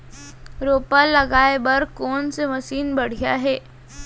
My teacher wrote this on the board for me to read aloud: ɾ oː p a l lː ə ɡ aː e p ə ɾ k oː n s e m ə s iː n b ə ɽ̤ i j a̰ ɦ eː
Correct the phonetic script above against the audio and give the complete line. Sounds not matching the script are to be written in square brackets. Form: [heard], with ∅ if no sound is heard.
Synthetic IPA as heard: ɾ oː p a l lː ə ɡ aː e [b] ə ɾ k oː n s e m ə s iː n b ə ɽ̤ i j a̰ ɦ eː